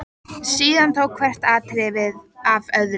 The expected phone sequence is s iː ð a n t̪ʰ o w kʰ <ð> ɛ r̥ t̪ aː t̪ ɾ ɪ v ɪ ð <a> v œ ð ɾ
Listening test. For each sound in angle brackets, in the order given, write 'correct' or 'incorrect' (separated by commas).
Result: incorrect, correct